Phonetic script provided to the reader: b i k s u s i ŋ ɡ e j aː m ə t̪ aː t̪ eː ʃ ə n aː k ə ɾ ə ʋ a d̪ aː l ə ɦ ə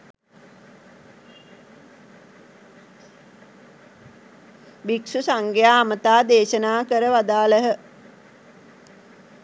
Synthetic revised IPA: b i k s u s a ŋ ɡ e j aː m ə t̪ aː d̪ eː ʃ ə n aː k ə ɾ ə ʋ a d̪ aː l ə ɦ ə

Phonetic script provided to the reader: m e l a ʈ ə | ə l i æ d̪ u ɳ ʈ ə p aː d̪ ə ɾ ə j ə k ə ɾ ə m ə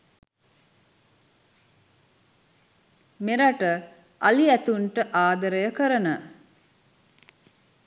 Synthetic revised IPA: m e ɾ a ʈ ə | a l i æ t̪ u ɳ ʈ ə ʔ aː d̪ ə ɾ ə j ə k ə ɾ ə n ə

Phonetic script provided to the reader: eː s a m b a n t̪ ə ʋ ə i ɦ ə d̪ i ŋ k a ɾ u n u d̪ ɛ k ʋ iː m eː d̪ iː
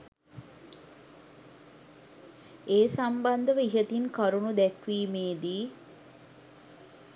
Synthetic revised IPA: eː s a m b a n d̪ ə ʋ ə i ɦ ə t̪ i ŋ k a ɾ u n u d̪ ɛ k ʋ iː m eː d̪ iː

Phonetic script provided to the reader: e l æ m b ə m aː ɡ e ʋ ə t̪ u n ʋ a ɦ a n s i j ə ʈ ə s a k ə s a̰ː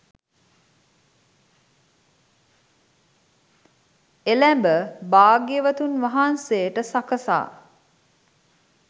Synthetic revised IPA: e l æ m b ə b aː ɡ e ʋ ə t̪ u n ʋ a ɦ a n s e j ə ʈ ə s a k ə s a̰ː

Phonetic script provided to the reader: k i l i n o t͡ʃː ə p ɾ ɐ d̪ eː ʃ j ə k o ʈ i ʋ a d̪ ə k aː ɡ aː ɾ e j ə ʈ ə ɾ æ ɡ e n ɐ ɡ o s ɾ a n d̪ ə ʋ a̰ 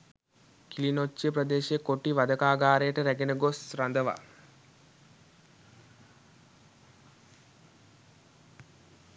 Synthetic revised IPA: k i l i n o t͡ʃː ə p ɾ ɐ d̪ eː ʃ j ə k o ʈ i ʋ a d̪ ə k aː ɡ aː ɾ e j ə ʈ ə ɾ æ ɡ e n ə ɡ o s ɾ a n d̪ ə ʋ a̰

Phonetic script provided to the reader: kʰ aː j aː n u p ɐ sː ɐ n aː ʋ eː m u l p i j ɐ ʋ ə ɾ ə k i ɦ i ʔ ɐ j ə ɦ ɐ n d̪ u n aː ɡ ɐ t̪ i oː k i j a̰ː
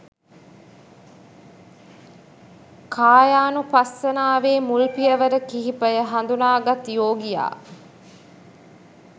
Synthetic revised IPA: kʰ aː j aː n u p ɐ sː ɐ n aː ʋ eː m u l p i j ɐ ʋ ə ɾ ə k i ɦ i p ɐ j ə ɦ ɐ n d̪ u n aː ɡ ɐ t̪ j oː ɡ i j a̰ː

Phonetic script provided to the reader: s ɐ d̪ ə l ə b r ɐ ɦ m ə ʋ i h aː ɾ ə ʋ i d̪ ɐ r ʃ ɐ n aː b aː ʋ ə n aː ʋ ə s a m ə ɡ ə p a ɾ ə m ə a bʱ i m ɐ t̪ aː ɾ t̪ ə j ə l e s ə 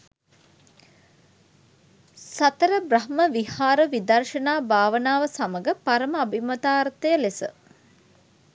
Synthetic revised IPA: s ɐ t̪ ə ɾ ə b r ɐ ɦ m ə ʋ i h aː ɾ ə ʋ i d̪ ɐ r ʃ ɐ n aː b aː ʋ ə n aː ʋ ə s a m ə ɡ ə p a ɾ ə m ə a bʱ i m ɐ t̪ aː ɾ t̪ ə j ə l e s ə

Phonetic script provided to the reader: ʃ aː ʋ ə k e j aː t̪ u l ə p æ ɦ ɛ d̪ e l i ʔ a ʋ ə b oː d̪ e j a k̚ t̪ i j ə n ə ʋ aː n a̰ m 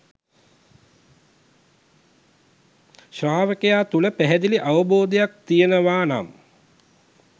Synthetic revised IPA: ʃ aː ʋ ə k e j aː t̪ u l ə p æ ɦ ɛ d̪ i l i ʔ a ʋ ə b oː d̪ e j a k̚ t̪ i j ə n ə ʋ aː n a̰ m

